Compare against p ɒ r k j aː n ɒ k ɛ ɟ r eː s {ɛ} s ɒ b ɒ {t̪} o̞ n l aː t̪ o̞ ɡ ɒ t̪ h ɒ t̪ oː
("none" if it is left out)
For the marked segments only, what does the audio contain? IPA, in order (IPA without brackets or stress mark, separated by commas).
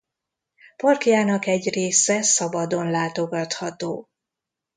ɛ, d̪